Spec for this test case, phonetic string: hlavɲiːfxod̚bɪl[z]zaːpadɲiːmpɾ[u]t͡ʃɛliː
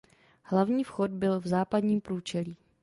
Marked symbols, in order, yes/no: no, no

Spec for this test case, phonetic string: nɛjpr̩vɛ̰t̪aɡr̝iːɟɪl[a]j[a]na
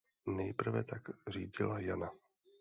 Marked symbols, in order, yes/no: yes, yes

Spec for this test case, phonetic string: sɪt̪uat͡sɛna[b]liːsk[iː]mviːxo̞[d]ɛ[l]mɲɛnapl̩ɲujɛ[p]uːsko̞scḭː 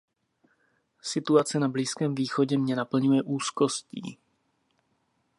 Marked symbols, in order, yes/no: yes, no, no, no, no

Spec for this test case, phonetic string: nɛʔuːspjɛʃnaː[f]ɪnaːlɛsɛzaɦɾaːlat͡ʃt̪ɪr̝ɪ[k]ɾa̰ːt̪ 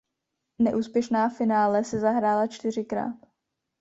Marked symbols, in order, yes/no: yes, yes

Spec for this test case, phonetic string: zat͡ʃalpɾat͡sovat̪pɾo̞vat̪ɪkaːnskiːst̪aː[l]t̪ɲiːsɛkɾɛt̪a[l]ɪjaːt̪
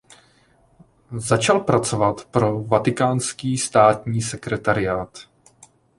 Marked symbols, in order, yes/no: no, no

